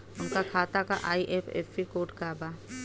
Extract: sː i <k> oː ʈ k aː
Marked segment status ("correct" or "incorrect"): correct